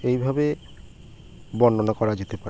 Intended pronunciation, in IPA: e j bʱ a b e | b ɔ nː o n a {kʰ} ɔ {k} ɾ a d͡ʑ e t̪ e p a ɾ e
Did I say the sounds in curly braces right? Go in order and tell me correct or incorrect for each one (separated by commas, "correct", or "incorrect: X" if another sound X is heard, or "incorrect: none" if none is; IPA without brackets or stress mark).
incorrect: k, incorrect: none